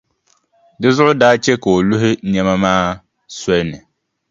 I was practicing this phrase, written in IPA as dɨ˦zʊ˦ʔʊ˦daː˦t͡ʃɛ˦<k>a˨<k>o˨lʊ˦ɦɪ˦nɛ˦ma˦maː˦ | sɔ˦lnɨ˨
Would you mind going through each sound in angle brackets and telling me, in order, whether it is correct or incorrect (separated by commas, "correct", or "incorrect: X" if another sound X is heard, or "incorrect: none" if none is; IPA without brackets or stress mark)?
correct, incorrect: none